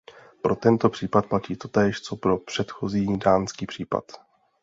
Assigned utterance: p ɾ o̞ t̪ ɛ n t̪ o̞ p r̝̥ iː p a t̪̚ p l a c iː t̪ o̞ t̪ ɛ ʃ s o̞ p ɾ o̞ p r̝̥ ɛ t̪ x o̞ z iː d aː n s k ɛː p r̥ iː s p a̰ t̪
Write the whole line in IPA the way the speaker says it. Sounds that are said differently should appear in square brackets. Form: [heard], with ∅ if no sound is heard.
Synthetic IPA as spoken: p ɾ o̞ t̪ ɛ n t̪ o̞ p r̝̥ iː p a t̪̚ p l a c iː t̪ o̞ t̪ [ɛː] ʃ [t͡s] o̞ p ɾ o̞ p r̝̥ ɛ t̪ x o̞ z iː d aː n s k [iː] p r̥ iː [∅] p a̰ t̪